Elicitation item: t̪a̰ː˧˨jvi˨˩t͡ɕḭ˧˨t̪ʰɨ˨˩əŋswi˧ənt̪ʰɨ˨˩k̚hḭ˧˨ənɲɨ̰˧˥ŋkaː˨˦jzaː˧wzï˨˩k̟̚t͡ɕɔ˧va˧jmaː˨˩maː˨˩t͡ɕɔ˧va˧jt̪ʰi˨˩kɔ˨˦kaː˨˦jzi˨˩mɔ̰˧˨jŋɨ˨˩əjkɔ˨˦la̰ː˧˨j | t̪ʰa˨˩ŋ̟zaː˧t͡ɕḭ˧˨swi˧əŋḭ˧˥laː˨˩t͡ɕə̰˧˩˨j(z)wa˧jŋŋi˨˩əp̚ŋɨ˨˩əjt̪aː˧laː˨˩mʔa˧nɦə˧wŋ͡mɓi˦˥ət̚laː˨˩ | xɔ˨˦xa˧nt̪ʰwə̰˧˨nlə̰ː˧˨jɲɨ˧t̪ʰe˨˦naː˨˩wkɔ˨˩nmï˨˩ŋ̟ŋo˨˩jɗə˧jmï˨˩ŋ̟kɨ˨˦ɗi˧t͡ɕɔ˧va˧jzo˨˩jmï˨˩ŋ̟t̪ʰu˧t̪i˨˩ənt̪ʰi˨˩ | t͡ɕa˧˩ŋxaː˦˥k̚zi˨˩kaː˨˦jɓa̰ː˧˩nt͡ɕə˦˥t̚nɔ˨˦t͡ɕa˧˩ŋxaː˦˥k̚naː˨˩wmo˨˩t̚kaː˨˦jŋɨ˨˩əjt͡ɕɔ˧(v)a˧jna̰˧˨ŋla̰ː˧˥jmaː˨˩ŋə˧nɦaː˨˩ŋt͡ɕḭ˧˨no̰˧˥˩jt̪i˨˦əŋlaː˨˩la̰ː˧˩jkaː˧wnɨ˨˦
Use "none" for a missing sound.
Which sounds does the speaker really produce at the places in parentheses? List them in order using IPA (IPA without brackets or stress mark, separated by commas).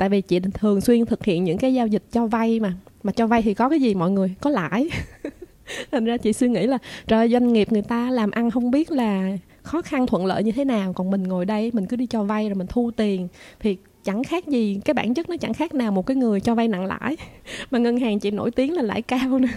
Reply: z, v